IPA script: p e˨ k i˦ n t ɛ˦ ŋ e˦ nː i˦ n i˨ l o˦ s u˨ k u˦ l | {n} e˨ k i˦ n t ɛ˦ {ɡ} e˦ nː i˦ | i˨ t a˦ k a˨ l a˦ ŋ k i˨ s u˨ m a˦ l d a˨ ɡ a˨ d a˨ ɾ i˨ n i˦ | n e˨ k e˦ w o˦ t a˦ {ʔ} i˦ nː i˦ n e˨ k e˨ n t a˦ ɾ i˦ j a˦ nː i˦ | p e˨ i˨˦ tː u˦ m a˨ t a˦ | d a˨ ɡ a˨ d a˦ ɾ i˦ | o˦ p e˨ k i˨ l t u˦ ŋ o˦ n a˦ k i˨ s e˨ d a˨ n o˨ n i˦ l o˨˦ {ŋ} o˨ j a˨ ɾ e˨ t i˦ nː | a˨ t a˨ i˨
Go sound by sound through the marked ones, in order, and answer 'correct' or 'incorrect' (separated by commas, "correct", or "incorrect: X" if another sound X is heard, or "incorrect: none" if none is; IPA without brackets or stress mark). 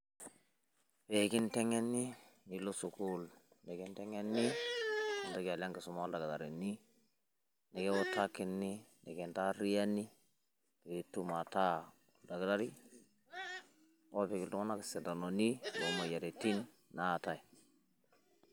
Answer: correct, incorrect: ŋ, incorrect: k, incorrect: m